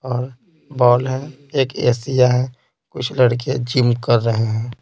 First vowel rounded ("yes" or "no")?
yes